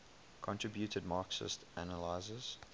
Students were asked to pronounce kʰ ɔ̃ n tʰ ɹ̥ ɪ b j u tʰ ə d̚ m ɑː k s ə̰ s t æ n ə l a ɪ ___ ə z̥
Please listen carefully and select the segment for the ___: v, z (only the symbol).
z